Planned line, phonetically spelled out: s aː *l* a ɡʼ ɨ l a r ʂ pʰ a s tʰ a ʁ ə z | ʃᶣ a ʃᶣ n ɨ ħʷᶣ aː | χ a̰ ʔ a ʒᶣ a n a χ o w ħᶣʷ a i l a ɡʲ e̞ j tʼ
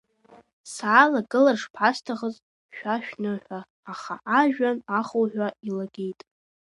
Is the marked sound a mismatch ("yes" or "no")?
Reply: no